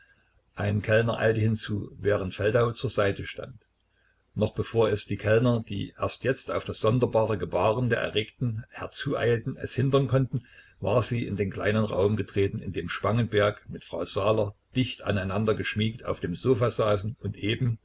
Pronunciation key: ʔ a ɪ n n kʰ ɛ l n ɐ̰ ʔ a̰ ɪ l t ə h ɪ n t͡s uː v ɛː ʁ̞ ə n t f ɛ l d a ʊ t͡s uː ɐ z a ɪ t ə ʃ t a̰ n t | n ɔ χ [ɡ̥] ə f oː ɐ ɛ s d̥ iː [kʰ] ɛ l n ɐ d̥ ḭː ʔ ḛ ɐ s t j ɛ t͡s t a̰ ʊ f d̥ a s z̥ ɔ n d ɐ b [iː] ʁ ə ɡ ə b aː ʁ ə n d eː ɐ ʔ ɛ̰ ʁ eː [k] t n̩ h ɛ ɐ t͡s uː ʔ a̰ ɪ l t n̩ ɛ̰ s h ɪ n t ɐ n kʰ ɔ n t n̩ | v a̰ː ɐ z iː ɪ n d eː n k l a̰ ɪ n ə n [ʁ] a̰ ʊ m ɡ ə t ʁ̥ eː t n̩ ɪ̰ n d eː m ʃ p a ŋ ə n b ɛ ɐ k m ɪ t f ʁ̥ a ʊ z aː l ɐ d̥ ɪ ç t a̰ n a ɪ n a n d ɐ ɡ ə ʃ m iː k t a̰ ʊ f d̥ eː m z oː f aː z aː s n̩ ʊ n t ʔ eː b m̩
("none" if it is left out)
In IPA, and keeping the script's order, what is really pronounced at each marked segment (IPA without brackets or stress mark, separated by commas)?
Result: b̥, kʰ, aː, k, ʁ